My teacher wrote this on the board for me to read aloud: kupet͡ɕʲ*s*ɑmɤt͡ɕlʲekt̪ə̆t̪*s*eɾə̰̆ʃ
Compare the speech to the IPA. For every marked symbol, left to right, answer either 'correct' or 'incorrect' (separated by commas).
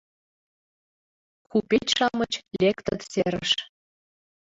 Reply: incorrect, correct